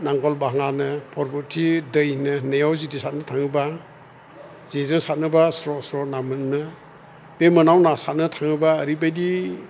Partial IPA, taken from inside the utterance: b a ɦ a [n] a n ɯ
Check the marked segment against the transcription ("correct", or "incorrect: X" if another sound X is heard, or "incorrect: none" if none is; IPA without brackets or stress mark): incorrect: ŋ